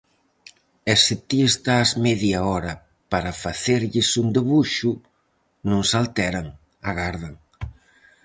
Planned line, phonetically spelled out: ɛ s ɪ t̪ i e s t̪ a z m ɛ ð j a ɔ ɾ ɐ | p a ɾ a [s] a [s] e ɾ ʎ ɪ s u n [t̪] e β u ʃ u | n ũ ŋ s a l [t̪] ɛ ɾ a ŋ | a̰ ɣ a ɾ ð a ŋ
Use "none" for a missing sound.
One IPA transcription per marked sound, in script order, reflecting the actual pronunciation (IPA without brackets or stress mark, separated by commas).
f, θ, d̪, t̪